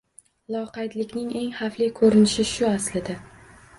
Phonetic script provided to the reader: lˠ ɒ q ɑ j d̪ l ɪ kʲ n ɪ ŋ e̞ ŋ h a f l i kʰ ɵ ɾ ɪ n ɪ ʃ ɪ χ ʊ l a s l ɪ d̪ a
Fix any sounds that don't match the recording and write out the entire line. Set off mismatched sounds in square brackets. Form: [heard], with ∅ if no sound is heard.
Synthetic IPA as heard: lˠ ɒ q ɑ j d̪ l ɪ kʲ n ɪ ŋ e̞ ŋ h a f l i kʰ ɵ ɾ ɪ n ɪ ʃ ɪ [ʃ] ʊ [∅] a s l ɪ d̪ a